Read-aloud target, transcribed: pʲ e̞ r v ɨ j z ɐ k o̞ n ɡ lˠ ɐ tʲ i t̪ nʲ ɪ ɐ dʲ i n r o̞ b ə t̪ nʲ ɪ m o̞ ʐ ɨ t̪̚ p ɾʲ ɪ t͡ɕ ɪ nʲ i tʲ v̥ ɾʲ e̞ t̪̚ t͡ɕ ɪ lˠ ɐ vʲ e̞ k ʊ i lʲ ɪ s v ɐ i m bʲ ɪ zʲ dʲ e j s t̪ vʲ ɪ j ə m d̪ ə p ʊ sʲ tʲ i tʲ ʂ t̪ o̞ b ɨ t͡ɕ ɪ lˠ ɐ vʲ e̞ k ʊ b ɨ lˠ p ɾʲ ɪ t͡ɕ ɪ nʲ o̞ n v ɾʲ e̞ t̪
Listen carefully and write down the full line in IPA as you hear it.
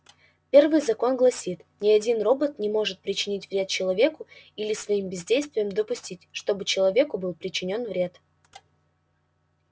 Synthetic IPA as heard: pʲ e̞ r v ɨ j z ɐ k o̞ n ɡ lˠ ɐ sʲ i t̪ nʲ ɪ ɐ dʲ i n r o̞ b ə t̪ nʲ ɪ m o̞ ʐ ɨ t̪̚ p ɾʲ ɪ t͡ɕ ɪ nʲ i tʲ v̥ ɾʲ e̞ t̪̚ t͡ɕ ɪ lˠ ɐ vʲ e̞ k ʊ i lʲ ɪ s v ɐ i m bʲ ɪ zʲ dʲ e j s t̪ vʲ ɪ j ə m d̪ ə p ʊ sʲ tʲ i tʲ ʂ t̪ o̞ b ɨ t͡ɕ ɪ lˠ ɐ vʲ e̞ k ʊ b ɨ lˠ p ɾʲ ɪ t͡ɕ ɪ nʲ o̞ n v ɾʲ e̞ t̪

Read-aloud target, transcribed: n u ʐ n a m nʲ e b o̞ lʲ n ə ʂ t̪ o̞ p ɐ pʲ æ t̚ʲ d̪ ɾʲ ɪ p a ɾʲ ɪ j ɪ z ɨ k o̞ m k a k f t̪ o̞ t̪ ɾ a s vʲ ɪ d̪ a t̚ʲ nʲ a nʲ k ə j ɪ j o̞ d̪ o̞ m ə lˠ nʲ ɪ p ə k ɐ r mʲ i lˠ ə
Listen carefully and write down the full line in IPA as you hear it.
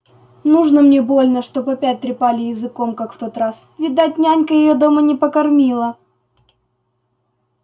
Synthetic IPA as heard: n u ʐ n ə m nʲ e b o̞ lʲ n ə ʂ t̪ o̞ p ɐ pʲ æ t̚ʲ t̪ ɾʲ ɪ p a lʲ ɪ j ɪ z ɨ k o̞ m k a k f t̪ o̞ t̪ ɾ a s vʲ ɪ d̪ a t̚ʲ nʲ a nʲ k ə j ɪ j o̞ d̪ o̞ m ə nʲ ɪ p ə k ɐ r mʲ i lˠ ə

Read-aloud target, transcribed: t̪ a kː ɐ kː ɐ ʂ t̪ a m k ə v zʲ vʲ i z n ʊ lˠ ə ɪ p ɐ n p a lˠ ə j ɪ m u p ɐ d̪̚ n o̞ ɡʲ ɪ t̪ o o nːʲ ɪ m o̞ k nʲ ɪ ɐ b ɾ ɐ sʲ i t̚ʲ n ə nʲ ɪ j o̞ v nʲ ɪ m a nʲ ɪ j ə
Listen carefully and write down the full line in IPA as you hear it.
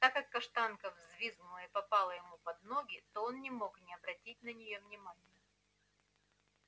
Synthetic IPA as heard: t̪ a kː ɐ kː ɐ ʂ t̪ a n k ə v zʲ vʲ i z n ʊ lˠ ə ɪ p ɐ p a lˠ ə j ɪ m u p ɐ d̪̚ n o̞ ɡʲ ɪ t̪ o o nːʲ ɪ m o̞ k nʲ ɪ ɐ b ɾ ɐ tʲ i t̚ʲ n ə nʲ ɪ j o̞ v nʲ ɪ m a nʲ ɪ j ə

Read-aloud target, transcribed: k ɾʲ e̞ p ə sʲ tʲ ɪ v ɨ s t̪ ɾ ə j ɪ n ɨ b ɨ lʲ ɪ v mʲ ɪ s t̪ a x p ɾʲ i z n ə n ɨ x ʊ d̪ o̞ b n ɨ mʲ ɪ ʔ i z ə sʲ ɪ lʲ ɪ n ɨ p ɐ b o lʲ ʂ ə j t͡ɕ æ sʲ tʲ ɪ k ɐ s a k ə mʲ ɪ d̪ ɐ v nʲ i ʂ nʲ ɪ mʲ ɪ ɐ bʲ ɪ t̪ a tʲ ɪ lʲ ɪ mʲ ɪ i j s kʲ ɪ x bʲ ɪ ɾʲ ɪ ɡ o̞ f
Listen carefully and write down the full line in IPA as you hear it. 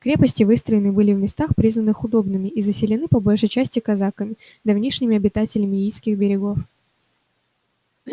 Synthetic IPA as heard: k ɾʲ e̞ p ə sʲ tʲ ɪ v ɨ s t̪ ɾ ə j ɪ n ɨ b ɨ lʲ ɪ v mʲ ɪ s t̪ a x p ɾʲ i z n ə n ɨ x ʊ d̪ o̞ b n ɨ mʲ ɪ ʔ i z ə sʲ ɪ lʲ ɪ n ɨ p ɐ b o lʲ ʂ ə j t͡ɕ æ sʲ tʲ ɪ k ɐ z a k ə mʲ ɪ d̪ ɐ v nʲ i ʂ nʲ ɪ mʲ ɪ ɐ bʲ ɪ t̪ a tʲ ɪ lʲ ɪ mʲ ɪ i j s kʲ ɪ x bʲ ɪ ɾʲ ɪ ɡ o̞ f

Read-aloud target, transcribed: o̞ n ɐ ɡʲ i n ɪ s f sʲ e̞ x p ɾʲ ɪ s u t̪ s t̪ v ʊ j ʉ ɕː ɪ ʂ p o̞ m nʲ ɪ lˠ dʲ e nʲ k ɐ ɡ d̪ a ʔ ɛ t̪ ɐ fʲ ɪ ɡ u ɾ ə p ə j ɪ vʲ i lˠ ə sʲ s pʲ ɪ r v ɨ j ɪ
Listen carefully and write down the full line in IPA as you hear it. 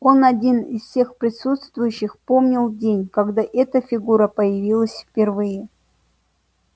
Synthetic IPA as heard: o̞ n ɐ dʲ i n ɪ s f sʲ e̞ x p ɾʲ ɪ s u t̪ s t̪ v ʊ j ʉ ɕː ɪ x p o̞ m nʲ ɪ lˠ dʲ e nʲ k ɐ ɡ d̪ a ʔ ɛ t̪ ə fʲ ɪ ɡ u ɾ ə p ə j ɪ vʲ i lˠ ə sʲ f pʲ ɪ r v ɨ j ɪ

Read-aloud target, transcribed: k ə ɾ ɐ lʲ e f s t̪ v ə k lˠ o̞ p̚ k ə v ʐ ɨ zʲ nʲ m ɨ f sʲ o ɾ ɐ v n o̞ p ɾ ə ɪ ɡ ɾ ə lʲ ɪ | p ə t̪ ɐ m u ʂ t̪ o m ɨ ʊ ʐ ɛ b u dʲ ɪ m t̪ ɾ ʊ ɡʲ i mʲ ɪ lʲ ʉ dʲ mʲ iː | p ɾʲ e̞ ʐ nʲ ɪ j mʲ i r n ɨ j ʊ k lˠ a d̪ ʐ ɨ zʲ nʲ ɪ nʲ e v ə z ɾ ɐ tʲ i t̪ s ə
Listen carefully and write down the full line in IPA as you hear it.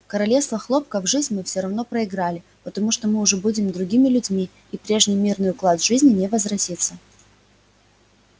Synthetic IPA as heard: k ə ɾ ɐ lʲ e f s t̪ v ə x lˠ o̞ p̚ k ə v ʐ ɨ zʲ nʲ m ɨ f sʲ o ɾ ɐ v n o̞ p ɾ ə ɪ ɡ ɾ a lʲ ɪ | p ə t̪ ɐ m u ʂ t̪ o m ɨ ʊ ʐ ɛ b u dʲ ɪ m d̪ ɾ ʊ ɡʲ i mʲ ɪ lʲ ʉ dʲ mʲ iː | p ɾʲ e̞ ʐ nʲ ɪ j mʲ i r n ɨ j ʊ k lˠ a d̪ ʐ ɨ zʲ nʲ ɪ nʲ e v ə z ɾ ɐ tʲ i t̪ s ə

